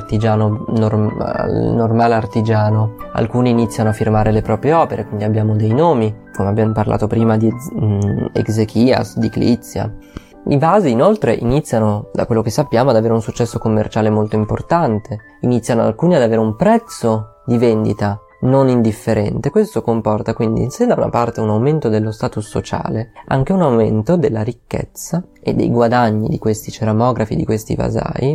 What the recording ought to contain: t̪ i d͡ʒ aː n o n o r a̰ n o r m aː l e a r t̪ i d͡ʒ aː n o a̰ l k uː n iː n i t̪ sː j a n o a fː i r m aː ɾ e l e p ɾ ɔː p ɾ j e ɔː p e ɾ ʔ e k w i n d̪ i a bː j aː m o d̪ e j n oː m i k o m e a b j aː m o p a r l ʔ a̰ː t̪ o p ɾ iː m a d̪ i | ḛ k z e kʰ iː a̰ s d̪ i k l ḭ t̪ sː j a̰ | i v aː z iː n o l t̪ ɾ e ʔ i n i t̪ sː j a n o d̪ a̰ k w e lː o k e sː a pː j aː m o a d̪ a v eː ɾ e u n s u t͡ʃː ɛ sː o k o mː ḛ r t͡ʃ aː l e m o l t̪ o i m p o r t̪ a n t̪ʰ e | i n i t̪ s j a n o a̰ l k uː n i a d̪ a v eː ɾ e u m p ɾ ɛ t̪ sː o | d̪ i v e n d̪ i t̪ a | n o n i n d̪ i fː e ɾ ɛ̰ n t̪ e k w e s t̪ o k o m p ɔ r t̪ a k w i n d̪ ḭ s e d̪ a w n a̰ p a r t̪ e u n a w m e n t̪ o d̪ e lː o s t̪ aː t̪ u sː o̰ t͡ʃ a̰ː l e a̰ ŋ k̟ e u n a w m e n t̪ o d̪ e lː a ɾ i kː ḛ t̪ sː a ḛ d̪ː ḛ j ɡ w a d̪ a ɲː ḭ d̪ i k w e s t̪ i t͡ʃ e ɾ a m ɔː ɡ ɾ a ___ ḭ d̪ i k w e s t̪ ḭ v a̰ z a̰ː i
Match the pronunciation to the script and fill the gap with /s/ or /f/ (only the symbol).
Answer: f